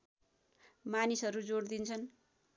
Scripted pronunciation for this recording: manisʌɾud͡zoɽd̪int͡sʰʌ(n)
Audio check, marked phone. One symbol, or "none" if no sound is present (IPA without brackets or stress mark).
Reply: n